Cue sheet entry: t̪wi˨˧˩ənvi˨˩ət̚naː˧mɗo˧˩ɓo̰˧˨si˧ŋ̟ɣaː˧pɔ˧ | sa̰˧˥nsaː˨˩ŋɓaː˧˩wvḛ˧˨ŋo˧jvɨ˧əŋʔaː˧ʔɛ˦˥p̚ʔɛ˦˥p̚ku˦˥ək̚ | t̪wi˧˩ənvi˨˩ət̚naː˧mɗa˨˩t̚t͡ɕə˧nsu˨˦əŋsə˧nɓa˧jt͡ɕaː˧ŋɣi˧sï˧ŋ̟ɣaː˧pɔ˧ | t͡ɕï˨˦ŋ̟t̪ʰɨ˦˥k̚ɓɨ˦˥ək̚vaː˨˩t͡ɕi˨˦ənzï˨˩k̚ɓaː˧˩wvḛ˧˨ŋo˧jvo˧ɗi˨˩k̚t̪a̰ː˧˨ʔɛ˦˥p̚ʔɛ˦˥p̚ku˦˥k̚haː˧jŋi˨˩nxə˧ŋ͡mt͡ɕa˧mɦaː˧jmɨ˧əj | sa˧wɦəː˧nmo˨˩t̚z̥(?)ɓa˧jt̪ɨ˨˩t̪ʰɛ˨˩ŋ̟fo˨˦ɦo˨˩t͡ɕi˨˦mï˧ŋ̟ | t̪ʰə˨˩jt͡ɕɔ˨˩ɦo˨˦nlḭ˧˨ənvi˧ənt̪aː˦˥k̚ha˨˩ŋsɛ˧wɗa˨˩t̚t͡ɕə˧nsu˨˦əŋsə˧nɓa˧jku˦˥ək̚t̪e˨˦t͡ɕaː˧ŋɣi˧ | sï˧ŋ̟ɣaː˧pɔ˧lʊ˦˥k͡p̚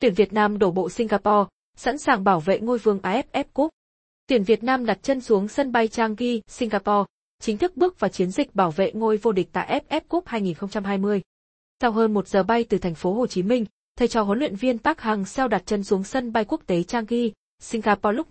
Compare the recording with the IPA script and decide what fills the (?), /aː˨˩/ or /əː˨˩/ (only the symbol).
əː˨˩